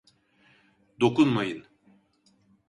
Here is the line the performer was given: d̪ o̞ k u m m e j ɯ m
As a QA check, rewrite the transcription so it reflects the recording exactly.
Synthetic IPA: d̪ o̞ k u n m a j ɯ n